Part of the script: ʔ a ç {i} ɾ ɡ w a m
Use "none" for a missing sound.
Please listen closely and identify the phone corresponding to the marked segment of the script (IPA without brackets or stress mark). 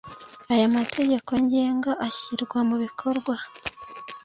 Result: i